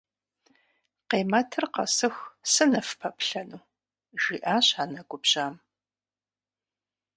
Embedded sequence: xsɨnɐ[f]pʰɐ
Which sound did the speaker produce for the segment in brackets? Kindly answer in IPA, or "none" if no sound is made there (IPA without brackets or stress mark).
f